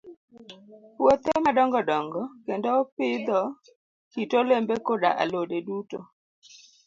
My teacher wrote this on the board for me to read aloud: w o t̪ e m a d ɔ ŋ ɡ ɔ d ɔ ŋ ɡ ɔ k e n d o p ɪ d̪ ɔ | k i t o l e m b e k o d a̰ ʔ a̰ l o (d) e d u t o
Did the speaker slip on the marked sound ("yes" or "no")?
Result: no